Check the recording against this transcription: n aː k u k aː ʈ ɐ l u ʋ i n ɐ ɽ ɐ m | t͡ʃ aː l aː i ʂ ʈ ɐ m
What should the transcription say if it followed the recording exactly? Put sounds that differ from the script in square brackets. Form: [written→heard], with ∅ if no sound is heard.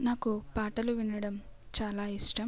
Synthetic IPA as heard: n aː k u [k→p] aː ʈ ɐ l u ʋ i n ɐ ɽ ɐ m | t͡ʃ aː l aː i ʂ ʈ ɐ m

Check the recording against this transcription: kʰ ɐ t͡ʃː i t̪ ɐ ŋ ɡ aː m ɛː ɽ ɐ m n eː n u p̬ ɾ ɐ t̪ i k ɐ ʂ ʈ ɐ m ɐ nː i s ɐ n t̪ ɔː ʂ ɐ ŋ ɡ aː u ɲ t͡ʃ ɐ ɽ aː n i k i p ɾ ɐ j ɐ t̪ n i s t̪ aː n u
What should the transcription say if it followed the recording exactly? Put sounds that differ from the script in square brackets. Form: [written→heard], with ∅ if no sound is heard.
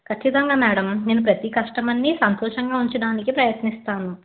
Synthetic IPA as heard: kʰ ɐ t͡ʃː i t̪ ɐ ŋ ɡ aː m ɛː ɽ ɐ m n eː n u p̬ ɾ ɐ t̪ i k ɐ ʂ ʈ ɐ m ɐ nː i s ɐ n t̪ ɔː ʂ ɐ ŋ ɡ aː u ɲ t͡ʃ ɐ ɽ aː n i k i p ɾ ɐ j ɐ t̪ n i s t̪ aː n u

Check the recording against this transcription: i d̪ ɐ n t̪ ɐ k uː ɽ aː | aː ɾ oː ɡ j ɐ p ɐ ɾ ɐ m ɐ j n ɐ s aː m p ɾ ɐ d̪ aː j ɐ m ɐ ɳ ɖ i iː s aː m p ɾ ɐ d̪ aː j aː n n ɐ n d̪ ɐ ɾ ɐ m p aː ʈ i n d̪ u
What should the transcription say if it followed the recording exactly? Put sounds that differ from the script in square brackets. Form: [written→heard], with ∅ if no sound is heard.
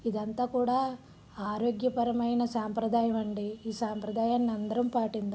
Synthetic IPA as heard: i d̪ ɐ n t̪ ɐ k uː ɽ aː | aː ɾ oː ɡ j ɐ p ɐ ɾ ɐ m ɐ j n ɐ s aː m p ɾ ɐ d̪ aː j ɐ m ɐ ɳ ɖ i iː s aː m p ɾ ɐ d̪ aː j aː n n ɐ n d̪ ɐ ɾ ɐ m p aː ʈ i n d̪ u

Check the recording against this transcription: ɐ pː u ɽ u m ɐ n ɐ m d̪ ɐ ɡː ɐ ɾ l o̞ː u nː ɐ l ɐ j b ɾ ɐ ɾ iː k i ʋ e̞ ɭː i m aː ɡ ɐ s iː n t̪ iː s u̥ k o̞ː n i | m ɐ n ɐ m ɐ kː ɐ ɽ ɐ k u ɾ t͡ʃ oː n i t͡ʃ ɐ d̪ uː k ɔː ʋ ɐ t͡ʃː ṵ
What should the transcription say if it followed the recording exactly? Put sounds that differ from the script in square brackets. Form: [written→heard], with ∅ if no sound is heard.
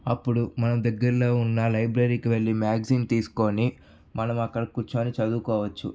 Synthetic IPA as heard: ɐ pː u ɽ u m ɐ n ɐ m d̪ ɐ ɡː ɐ ɾ l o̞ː u nː ɐ l ɐ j b ɾ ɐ ɾ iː k i ʋ e̞ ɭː i m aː ɡ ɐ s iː n t̪ iː s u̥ k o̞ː n i | m ɐ n ɐ m ɐ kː ɐ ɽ ɐ k u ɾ t͡ʃ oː n i t͡ʃ ɐ d̪ uː k ɔː ʋ ɐ t͡ʃː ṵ

